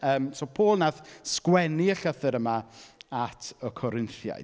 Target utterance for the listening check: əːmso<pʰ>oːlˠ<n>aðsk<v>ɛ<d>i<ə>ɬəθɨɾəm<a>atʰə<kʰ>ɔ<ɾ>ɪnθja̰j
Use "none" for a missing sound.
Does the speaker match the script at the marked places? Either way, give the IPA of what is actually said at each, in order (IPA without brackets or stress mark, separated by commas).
pʰ, n, w, n, ə, a, kʰ, ɾ